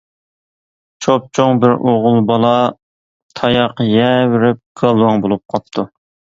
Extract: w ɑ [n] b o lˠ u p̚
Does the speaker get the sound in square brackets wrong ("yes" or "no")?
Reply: yes